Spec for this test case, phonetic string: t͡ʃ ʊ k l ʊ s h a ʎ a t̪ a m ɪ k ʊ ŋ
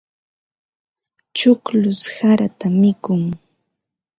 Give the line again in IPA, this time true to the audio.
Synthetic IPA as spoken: t͡ʃ ʊ k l ʊ s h a ɾ a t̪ a m ɪ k ʊ ŋ